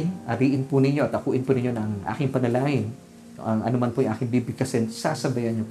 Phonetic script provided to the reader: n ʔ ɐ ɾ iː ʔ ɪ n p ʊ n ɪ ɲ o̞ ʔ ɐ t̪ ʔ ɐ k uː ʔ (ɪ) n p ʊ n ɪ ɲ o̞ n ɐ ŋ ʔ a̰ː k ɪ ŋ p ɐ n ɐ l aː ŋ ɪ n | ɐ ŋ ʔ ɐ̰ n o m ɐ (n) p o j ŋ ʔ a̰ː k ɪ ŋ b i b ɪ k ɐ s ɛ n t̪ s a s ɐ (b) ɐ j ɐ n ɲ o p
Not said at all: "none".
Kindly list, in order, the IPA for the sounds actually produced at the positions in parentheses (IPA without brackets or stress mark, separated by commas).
ɪ, n, b